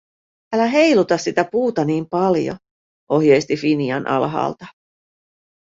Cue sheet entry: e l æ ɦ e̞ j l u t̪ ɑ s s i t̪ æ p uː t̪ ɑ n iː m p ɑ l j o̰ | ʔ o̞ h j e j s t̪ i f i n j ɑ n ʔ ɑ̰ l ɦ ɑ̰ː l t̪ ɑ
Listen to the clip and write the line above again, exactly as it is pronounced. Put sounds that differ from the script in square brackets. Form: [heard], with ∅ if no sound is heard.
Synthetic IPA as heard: [æ] l æ ɦ e̞ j l u t̪ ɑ s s i t̪ æ p uː t̪ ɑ n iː m p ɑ l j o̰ | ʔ o̞ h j e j s t̪ i f i n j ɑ n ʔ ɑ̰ l ɦ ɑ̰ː l t̪ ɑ